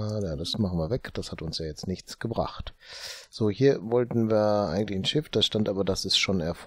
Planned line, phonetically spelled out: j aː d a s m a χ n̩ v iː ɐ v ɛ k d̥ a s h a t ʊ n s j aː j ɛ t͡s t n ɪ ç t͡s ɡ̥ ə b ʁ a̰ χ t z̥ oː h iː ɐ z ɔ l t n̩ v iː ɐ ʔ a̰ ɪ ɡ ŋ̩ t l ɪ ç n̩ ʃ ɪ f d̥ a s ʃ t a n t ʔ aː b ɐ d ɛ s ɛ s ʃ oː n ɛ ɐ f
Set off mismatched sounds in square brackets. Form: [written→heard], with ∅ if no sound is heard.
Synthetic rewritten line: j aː d a s m a χ n̩ v iː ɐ v ɛ k d̥ a s h a t ʊ n s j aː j ɛ t͡s t n ɪ ç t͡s ɡ̥ ə b ʁ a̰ χ t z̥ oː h iː ɐ [z→v] ɔ l t n̩ v iː ɐ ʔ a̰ ɪ ɡ ŋ̩ t l ɪ ç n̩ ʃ ɪ f d̥ a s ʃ t a n t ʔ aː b ɐ d [ɛ→a] s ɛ s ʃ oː n ɛ ɐ f